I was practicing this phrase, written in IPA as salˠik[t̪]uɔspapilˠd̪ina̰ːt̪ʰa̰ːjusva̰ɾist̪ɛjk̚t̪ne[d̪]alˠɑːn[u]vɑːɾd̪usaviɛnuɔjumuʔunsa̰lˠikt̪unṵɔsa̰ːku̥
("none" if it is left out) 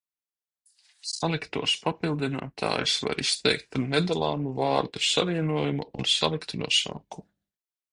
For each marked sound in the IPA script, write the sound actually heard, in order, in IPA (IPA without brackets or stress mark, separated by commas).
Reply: t̪, d̪, u